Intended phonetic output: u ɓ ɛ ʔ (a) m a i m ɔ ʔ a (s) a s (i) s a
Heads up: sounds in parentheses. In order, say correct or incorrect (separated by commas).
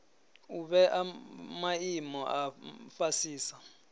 correct, incorrect, incorrect